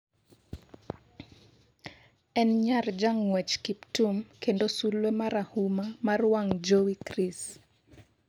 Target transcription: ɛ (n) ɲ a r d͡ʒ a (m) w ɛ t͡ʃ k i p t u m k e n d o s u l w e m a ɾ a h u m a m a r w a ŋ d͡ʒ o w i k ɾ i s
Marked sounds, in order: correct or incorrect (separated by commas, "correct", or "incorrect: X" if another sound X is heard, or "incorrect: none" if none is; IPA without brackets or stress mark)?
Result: correct, incorrect: ŋ